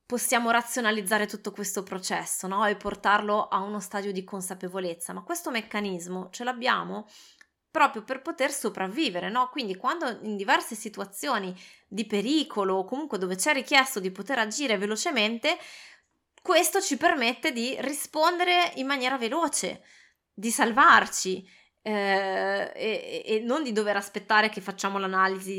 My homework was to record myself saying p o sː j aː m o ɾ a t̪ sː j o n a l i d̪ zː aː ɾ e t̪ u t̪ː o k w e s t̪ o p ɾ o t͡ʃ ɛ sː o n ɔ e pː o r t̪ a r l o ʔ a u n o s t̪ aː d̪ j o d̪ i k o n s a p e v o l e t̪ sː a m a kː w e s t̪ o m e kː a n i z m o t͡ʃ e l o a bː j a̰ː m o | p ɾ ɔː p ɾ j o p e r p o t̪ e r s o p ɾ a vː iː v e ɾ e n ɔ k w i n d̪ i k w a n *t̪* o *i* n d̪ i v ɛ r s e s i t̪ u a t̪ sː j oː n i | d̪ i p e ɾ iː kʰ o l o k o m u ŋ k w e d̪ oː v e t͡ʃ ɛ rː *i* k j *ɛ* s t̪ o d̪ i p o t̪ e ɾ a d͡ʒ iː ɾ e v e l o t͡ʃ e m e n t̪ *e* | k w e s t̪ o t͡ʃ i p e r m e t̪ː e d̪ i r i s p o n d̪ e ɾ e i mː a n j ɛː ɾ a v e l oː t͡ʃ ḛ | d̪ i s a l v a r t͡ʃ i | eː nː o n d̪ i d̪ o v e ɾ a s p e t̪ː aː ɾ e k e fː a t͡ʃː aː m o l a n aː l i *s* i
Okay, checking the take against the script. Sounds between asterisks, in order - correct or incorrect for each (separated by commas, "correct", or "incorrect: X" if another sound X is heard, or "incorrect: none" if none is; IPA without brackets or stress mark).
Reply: incorrect: d̪, correct, correct, correct, correct, incorrect: z